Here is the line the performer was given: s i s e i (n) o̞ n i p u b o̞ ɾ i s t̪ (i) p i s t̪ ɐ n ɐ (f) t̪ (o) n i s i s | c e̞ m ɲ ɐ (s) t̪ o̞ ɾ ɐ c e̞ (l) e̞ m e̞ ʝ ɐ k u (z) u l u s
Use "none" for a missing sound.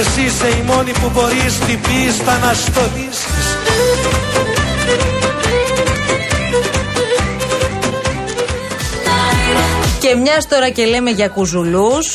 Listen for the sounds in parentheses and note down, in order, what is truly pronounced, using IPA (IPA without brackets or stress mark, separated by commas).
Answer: m, i, s, o, s, l, z